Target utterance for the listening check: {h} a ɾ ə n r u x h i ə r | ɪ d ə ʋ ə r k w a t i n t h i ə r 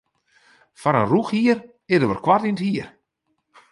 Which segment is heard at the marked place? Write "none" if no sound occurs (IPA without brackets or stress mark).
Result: f